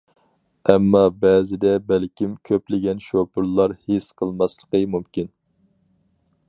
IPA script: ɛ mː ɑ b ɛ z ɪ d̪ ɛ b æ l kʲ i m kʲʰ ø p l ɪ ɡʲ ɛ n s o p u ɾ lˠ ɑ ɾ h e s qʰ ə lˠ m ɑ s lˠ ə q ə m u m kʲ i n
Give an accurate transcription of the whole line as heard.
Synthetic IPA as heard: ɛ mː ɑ b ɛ z ɪ d̪ ɛ b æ l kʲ i m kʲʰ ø p l ɪ ɡʲ ɛ n ʃ o p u ɾ lˠ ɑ ɾ h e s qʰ ə lˠ m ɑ s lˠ ə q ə m u m kʲ i n